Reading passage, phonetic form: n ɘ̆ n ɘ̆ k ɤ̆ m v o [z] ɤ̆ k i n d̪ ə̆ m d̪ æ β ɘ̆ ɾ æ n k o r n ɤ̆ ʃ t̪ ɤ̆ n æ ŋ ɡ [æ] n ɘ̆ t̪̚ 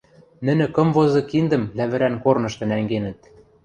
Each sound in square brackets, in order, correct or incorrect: correct, incorrect

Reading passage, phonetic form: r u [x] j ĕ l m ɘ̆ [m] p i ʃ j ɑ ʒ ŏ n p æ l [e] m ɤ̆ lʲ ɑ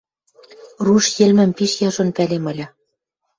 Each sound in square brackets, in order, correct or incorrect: incorrect, correct, correct

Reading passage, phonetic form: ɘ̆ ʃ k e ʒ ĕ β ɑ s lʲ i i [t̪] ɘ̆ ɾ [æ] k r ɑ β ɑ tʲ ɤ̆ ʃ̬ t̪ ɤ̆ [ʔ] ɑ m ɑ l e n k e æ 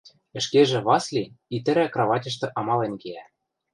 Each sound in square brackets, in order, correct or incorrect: correct, correct, correct

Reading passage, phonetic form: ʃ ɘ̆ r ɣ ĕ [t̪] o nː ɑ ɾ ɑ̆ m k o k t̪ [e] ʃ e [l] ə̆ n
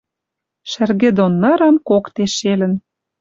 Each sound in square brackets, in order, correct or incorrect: incorrect, correct, correct

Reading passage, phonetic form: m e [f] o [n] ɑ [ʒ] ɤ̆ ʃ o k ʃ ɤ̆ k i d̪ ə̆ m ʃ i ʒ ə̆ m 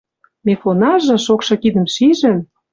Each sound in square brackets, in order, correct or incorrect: correct, correct, correct

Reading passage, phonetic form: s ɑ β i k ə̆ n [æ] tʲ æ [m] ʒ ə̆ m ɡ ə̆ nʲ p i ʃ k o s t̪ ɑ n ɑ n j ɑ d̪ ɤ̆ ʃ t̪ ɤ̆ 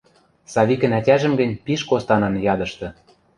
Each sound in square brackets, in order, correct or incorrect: correct, incorrect

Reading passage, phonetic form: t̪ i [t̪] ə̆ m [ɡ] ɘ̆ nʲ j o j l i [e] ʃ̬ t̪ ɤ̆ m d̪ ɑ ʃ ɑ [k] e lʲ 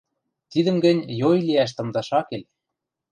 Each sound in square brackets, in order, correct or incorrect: incorrect, correct, incorrect, correct

